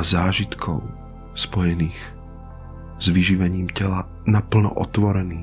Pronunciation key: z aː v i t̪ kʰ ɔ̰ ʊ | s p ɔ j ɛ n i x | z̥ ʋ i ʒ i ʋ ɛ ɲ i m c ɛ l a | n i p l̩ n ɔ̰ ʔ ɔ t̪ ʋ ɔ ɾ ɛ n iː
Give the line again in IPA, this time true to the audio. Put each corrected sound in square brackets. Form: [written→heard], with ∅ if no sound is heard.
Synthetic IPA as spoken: z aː [v→ʒ] i t̪ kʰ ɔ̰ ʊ | s p ɔ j ɛ n [i→iː] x | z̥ ʋ i ʒ i ʋ ɛ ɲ [i→iː] m c ɛ l a | n [i→a] p l̩ n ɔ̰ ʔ ɔ t̪ ʋ ɔ ɾ ɛ n iː